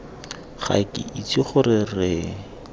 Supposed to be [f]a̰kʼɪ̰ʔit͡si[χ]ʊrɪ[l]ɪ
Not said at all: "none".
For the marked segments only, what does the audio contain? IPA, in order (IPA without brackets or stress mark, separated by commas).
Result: χ, χ, r